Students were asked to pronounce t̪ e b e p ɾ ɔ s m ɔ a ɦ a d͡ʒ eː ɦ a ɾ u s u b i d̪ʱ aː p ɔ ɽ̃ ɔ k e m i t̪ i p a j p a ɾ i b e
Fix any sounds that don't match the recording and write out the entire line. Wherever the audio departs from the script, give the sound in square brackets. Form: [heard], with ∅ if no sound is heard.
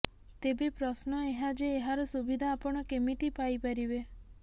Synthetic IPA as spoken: t̪ e b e p ɾ ɔ s [n] ɔ [e] ɦ a d͡ʒ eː ɦ a ɾ [ɔ] s u b i d̪ʱ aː p ɔ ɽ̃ ɔ k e m i t̪ i p a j p a ɾ i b e